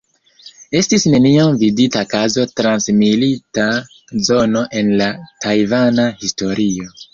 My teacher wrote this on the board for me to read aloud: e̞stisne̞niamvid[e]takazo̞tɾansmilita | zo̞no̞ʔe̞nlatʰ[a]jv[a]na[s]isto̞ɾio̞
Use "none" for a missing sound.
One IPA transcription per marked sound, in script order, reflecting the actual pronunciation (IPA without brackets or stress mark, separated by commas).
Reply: i, a, a, h